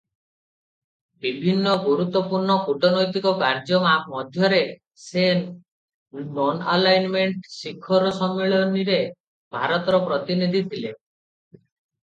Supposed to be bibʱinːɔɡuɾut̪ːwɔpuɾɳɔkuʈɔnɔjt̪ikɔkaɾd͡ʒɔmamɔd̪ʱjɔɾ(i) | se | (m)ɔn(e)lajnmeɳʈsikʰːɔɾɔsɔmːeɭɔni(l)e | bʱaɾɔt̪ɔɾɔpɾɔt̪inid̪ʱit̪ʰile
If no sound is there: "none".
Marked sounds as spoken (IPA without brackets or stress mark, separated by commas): e, n, a, ɾ